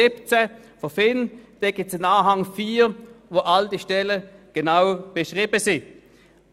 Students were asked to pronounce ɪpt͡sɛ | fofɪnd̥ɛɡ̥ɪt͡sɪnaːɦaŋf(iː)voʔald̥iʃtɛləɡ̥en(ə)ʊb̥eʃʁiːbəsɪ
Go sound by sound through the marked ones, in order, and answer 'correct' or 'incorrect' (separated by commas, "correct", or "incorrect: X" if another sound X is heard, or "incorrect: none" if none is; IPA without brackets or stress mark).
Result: correct, incorrect: a